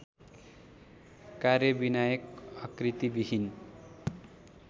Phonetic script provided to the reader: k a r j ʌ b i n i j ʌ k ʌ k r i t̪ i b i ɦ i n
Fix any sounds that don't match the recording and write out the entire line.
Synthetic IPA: k a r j ʌ b i n a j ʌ k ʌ k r i t̪ i b i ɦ i n